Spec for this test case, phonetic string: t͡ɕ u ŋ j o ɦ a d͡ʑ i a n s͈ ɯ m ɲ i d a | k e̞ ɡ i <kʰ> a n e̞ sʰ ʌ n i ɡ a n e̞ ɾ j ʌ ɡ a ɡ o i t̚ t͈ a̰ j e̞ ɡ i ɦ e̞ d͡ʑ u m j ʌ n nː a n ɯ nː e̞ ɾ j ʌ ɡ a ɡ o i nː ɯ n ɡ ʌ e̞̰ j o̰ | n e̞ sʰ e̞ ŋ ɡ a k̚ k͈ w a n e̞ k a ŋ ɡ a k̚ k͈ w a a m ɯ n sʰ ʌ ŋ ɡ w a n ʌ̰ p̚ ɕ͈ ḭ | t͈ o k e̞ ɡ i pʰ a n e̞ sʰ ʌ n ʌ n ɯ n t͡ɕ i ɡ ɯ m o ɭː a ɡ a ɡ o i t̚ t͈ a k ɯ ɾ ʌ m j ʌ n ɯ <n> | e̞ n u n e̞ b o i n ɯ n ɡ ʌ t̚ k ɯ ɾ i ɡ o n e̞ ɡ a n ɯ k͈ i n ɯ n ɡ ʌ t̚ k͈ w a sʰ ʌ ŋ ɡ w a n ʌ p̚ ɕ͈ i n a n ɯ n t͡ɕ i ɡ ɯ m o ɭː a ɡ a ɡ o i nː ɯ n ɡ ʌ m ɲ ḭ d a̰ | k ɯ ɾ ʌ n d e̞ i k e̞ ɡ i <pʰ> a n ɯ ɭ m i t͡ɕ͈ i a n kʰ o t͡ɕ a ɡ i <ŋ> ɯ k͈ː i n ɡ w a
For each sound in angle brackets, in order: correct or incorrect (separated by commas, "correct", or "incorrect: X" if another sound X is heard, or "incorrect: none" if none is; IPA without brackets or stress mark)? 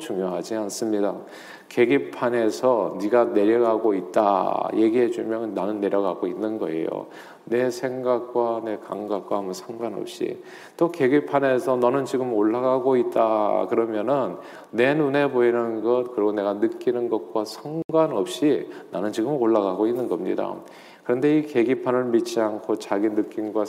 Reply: incorrect: pʰ, incorrect: nː, correct, incorrect: n